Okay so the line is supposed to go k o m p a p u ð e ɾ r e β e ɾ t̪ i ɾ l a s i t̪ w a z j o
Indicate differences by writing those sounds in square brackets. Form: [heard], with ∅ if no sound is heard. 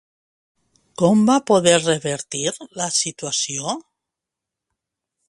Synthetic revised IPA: k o m [b] a p [o] ð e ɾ r e β e ɾ t̪ i ɾ l a s i t̪ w a [s] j o